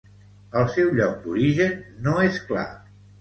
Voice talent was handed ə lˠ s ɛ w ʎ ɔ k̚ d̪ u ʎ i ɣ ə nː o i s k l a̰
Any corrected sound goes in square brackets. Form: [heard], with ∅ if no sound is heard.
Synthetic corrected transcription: ə lˠ s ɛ w ʎ ɔ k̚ d̪ u [ɾ] i [ʒ] ə nː o [e] s k l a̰